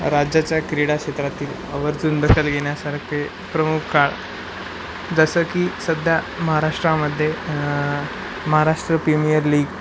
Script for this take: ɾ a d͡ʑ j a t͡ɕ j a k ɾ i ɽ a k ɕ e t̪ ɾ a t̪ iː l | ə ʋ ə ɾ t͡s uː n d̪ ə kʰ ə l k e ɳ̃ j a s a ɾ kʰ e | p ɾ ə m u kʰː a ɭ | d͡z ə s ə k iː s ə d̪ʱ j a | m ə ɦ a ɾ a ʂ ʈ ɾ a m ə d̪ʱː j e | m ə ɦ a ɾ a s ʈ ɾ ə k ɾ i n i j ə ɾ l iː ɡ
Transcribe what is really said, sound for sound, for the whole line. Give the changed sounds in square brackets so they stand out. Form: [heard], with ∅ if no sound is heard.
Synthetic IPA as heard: ɾ a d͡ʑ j a t͡ɕ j a k ɾ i ɽ a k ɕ e t̪ ɾ a t̪ iː l | ə ʋ ə ɾ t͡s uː n d̪ ə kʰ ə l [ɡ] e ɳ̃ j a s a ɾ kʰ e | p ɾ ə m u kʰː a ɭ | d͡z ə s ə k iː s ə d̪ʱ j a | m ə ɦ a ɾ a ʂ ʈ ɾ a m ə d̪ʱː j e | m ə ɦ a ɾ a [ʂ] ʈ ɾ ə [p] ɾ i [m] i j ə ɾ l iː ɡ